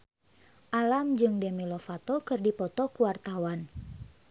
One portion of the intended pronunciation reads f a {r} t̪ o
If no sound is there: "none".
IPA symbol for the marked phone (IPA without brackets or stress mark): none